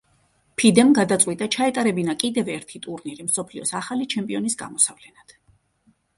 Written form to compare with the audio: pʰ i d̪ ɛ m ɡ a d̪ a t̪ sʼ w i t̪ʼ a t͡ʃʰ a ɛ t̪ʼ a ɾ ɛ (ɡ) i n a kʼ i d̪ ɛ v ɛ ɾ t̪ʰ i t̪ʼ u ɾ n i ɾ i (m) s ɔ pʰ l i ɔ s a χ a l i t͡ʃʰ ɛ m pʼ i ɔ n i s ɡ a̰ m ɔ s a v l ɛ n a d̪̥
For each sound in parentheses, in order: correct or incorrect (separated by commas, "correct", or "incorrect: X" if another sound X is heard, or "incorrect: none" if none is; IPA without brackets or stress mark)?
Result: incorrect: b, correct